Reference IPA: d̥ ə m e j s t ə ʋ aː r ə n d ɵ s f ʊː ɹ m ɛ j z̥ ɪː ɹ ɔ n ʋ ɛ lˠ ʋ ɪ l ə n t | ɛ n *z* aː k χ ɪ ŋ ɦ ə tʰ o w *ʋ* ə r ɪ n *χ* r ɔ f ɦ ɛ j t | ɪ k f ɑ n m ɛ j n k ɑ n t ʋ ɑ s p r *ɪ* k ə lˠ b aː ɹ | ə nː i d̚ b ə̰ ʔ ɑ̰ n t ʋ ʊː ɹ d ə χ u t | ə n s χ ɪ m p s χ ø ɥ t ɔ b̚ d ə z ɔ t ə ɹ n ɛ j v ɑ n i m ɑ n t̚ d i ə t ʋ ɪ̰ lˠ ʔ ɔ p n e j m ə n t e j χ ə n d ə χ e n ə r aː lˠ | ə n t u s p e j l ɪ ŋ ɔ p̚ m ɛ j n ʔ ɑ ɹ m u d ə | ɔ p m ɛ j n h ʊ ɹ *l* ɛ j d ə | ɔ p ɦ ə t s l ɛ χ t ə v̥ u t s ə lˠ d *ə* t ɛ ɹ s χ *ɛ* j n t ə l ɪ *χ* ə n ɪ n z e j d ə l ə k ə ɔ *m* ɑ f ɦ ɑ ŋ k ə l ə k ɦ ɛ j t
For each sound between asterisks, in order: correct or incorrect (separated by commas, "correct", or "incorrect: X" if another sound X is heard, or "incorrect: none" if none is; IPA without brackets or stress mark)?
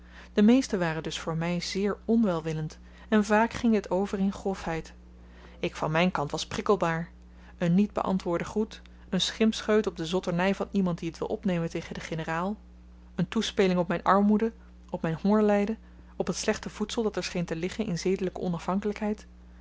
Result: incorrect: v, incorrect: v, correct, correct, correct, incorrect: ɑ, incorrect: e, correct, incorrect: n